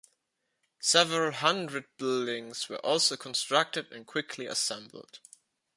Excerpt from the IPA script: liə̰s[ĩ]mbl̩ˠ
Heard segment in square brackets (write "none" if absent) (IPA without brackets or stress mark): ɛ̃